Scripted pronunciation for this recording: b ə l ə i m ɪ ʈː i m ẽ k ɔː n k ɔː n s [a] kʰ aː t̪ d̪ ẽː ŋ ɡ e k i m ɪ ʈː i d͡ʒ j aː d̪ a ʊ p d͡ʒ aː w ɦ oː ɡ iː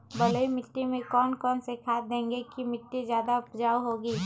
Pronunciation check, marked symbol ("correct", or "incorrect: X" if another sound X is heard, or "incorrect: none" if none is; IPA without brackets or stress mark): incorrect: e